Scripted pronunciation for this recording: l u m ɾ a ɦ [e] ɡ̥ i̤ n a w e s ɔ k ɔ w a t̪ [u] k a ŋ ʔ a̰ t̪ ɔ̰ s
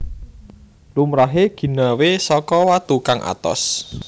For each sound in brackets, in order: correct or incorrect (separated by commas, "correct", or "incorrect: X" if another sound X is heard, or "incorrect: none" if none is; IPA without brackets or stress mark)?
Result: correct, correct